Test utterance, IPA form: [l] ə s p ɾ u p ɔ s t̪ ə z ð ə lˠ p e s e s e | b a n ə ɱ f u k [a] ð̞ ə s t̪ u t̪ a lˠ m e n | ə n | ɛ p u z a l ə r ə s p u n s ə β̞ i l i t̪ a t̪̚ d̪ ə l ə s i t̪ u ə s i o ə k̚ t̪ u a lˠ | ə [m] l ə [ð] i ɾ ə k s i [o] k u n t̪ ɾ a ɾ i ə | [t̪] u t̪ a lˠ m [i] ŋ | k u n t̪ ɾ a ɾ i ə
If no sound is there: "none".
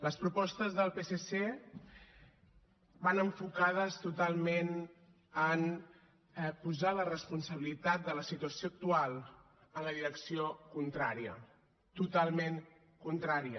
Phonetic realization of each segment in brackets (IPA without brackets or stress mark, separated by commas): l, a, n, ð, o, t̪, e